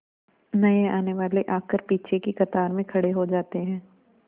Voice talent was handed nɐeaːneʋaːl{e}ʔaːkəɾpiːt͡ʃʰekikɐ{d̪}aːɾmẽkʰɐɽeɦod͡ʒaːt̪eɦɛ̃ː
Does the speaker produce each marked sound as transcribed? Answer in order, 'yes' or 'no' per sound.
yes, no

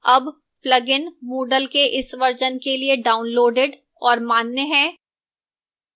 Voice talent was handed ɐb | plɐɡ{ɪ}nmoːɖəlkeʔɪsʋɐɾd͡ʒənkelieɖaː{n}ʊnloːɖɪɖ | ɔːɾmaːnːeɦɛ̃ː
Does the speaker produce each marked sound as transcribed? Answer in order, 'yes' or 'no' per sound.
yes, no

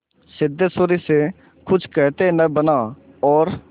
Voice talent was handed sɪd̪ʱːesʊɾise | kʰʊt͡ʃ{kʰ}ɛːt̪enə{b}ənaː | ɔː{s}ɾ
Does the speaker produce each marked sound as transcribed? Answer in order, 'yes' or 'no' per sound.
no, yes, no

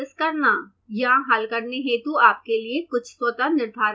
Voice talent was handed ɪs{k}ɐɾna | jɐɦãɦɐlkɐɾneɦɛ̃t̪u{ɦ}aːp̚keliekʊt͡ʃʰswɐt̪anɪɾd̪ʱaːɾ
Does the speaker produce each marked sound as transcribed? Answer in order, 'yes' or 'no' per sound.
yes, no

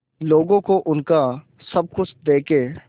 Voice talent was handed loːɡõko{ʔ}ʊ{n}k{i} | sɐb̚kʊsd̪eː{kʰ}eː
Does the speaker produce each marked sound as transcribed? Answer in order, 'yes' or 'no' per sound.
yes, yes, no, no

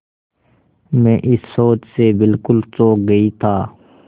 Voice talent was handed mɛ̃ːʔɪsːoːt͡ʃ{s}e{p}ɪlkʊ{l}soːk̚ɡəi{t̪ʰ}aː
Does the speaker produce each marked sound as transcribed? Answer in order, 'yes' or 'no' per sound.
yes, no, yes, yes

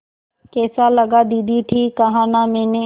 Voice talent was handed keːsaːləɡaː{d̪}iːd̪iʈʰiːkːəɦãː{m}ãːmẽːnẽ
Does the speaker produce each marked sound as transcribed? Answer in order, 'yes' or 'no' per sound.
yes, no

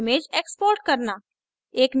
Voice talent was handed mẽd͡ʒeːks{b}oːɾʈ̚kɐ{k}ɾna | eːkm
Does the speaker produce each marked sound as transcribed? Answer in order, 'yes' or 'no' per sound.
no, no

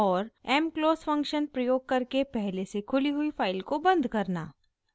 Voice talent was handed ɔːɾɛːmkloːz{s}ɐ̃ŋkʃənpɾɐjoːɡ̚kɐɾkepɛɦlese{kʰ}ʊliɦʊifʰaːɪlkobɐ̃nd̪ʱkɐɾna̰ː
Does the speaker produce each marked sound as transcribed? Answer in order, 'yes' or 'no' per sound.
no, yes

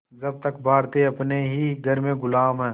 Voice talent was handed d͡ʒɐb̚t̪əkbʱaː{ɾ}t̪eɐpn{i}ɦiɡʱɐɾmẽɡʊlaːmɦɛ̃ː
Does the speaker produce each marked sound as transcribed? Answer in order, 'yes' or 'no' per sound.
yes, no

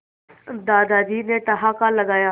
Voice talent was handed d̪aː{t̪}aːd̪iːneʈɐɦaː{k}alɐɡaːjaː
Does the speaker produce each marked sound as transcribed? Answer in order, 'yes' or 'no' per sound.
no, yes

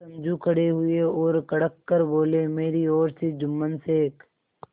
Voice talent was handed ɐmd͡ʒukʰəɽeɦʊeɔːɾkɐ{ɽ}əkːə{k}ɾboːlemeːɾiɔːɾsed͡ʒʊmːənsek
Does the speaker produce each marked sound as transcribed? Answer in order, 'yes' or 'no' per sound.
yes, no

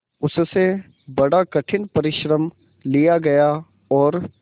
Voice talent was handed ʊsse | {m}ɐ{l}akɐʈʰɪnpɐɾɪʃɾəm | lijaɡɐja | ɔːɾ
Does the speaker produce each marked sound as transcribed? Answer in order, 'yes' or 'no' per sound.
no, no

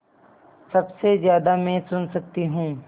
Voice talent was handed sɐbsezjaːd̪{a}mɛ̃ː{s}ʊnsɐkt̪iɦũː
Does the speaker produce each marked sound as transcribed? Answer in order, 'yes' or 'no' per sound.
yes, yes

